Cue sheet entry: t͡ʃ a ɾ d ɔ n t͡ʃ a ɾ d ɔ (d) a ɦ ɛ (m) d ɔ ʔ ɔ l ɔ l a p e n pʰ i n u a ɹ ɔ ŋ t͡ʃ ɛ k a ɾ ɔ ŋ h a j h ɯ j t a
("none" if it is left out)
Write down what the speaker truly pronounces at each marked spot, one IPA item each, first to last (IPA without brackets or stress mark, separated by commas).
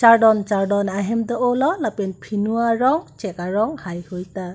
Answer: n, m